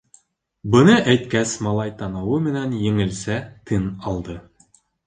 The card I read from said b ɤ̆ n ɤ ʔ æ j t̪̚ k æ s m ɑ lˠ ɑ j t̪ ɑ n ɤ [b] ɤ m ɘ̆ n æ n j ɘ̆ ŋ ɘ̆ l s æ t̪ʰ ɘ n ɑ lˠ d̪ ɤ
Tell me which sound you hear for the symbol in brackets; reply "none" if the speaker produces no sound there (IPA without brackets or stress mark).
w